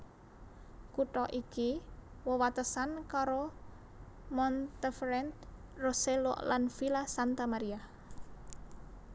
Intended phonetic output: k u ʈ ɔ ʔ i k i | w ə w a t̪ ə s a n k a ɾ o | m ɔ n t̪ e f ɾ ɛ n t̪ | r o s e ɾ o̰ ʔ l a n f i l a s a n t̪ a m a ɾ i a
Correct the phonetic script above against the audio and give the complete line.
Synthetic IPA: k u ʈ ɔ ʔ i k i | w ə w a t̪ ə s a n k a ɾ o | m ɔ n t̪ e f ɾ ɛ n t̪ | r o s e l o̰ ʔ l a n f i l a s a n t̪ a m a ɾ i a